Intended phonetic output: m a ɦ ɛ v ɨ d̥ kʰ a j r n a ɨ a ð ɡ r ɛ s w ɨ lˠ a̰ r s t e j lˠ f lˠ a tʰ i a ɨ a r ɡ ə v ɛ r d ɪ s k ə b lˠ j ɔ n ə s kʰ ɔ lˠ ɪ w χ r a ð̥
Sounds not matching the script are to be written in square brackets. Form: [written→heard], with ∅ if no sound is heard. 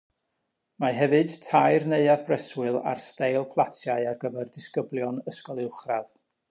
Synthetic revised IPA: m a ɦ ɛ v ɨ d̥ [kʰ→tʰ] a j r n [a→e] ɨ a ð [ɡ→b] r ɛ s w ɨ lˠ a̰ r s t e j lˠ f lˠ a tʰ [i→j] a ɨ a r ɡ ə v ɛ r d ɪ s k ə b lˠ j ɔ n ə s [kʰ→k] ɔ lˠ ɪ w χ r a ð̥